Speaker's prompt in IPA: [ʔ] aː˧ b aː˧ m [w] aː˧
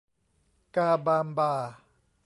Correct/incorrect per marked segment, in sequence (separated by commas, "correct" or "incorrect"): incorrect, incorrect